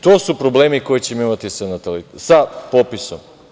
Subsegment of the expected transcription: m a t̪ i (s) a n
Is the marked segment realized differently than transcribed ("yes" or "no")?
no